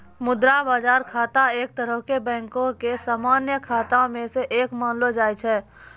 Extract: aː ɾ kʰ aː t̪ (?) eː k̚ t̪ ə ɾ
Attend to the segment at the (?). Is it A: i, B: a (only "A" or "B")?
B